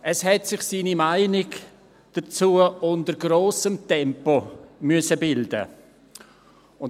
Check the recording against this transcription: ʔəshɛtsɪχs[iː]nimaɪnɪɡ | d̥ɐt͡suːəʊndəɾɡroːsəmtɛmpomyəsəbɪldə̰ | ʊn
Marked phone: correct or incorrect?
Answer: correct